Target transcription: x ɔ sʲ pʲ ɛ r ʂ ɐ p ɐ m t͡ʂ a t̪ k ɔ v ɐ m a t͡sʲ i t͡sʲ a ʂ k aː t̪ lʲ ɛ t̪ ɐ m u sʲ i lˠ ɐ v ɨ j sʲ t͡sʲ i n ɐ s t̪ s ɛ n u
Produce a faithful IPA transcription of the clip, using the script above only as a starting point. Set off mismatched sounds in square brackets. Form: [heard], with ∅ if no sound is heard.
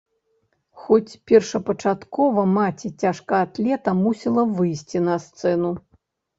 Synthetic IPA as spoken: x ɔ [t͡sʲ] pʲ ɛ r ʂ ɐ p ɐ [∅] t͡ʂ a t̪ k ɔ v ɐ m a t͡sʲ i t͡sʲ a ʂ k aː t̪ lʲ ɛ t̪ ɐ m u sʲ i lˠ ɐ v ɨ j sʲ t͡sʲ i n ɐ s t̪ s ɛ n u